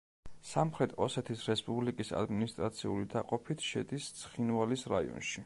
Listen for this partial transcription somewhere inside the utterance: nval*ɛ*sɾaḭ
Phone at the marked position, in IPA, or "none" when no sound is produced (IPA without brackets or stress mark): i